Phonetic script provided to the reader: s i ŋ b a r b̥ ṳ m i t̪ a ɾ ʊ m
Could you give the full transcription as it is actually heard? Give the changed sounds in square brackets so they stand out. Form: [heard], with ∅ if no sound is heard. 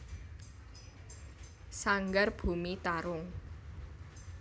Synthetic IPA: s [a] ŋ [ɡ] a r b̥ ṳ m i t̪ a ɾ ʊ [ŋ]

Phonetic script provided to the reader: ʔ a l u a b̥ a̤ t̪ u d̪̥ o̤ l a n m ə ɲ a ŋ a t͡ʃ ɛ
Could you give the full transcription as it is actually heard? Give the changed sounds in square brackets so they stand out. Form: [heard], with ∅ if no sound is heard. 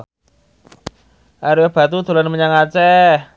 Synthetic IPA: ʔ a [ɾ] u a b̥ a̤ t̪ u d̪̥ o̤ l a n m ə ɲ a ŋ a t͡ʃ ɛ

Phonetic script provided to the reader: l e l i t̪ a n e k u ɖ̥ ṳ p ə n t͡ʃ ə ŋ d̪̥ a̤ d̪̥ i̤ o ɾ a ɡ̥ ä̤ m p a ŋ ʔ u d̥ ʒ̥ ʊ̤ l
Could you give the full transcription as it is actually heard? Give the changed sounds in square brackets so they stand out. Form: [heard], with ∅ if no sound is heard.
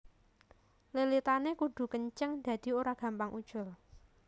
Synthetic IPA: l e l i t̪ a n e k u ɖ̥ ṳ [k] ə [ɲ] t͡ʃ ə ŋ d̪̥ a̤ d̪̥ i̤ o ɾ a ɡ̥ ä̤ m p a ŋ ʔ u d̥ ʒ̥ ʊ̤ l

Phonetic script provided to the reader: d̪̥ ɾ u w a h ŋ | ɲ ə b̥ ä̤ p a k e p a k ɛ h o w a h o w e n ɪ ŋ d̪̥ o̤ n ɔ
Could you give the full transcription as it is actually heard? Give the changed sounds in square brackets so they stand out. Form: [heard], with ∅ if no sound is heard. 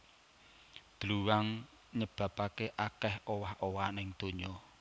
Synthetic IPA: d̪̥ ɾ u w a [∅] ŋ | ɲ ə b̥ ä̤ p a k e [ʔ] a k ɛ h o w a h o w [a] n ɪ ŋ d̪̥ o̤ [ɲ] ɔ

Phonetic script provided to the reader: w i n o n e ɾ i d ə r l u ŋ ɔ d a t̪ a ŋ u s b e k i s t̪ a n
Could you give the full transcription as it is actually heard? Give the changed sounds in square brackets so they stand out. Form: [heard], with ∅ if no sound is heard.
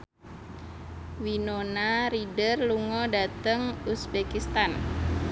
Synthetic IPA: w i n o n [a] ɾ i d ə r l u ŋ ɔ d a t̪ [ə] ŋ u s b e k i s t̪ a n

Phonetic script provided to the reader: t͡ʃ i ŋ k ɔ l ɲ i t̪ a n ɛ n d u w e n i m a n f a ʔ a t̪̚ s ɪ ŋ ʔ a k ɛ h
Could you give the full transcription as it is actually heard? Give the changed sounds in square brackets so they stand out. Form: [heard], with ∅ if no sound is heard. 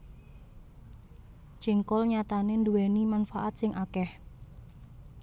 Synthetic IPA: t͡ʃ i ŋ k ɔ l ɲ [a] t̪ a n [e] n d u w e n i m a n f a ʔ a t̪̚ s ɪ ŋ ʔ a k ɛ h

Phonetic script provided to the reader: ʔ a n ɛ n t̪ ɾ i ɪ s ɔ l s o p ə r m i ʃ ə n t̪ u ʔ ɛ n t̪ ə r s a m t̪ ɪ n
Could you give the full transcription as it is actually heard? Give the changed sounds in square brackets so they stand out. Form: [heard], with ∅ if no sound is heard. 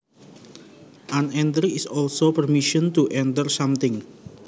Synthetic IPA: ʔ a n ɛ n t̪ ɾ i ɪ s ɔ l s o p ə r m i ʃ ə n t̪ u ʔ ɛ n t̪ ə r s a m t̪ ɪ [ŋ]

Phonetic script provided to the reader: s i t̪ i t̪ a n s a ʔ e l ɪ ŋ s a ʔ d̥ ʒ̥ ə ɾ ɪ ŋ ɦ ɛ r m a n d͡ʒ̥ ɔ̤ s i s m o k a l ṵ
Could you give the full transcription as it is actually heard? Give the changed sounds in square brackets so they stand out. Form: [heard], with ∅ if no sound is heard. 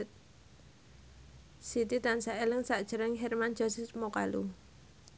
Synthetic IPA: s i t̪ i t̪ a n s a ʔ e l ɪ ŋ s a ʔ d̥ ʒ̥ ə ɾ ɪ ŋ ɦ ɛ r m a n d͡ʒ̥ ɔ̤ s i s m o k a l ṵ

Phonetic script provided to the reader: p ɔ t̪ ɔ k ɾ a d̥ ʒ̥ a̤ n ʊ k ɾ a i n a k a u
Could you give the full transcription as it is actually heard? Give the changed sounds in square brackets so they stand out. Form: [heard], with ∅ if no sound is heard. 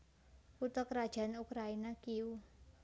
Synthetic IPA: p [u] t̪ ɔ k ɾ a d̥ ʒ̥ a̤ n [u] k ɾ a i n a k [i] u

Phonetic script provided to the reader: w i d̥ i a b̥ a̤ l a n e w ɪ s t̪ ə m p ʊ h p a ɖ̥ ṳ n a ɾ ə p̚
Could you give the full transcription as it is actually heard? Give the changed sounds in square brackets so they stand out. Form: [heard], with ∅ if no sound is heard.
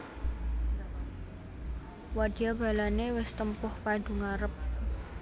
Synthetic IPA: w [a] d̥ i a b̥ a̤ l a n e w ɪ s t̪ ə m p ʊ h p a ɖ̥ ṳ [ŋ] a ɾ ə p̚

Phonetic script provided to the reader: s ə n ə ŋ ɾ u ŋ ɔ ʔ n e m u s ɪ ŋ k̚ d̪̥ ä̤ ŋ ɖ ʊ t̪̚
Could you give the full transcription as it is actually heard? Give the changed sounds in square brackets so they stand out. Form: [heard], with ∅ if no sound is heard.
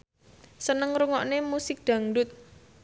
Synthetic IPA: s ə n ə ŋ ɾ u ŋ ɔ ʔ n e m u s ɪ [∅] k̚ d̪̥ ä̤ ŋ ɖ ʊ t̪̚

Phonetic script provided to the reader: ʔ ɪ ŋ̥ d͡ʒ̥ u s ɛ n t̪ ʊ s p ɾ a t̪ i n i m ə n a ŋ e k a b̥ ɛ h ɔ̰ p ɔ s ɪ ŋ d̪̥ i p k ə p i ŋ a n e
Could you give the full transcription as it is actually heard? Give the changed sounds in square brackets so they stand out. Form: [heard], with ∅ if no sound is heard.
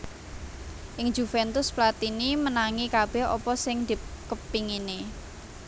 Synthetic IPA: ʔ ɪ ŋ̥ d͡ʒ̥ u [f] ɛ n t̪ ʊ s p [l] a t̪ i n i m ə n a ŋ [i] k a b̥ ɛ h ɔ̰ p ɔ s ɪ ŋ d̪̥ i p k ə p i ŋ [i] n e

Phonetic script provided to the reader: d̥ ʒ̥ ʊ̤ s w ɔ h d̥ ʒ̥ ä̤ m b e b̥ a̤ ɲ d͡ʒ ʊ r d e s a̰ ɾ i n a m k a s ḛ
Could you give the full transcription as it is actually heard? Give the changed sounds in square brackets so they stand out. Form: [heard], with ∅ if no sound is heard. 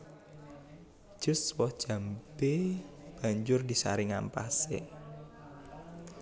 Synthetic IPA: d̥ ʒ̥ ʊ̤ s w ɔ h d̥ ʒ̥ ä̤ m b e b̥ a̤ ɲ d͡ʒ ʊ r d [i] s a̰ ɾ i [ŋ] a m [p] a s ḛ

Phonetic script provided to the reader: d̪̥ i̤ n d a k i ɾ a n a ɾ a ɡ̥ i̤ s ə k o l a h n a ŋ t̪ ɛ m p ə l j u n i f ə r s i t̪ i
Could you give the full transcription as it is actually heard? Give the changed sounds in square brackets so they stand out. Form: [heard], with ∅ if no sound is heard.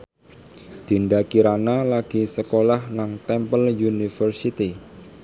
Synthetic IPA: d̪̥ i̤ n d a k i ɾ a n a [l] a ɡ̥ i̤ s ə k o l a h n a ŋ t̪ ɛ m p ə l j u n i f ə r s i t̪ i

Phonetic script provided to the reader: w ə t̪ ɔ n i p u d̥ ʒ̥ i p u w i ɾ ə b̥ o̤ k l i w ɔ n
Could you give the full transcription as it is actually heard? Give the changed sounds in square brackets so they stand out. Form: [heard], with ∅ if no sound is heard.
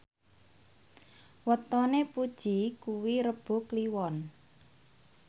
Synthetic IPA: w ə t̪ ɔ n [e] p u d̥ ʒ̥ i [k] u w i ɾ ə b̥ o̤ k l i w ɔ n

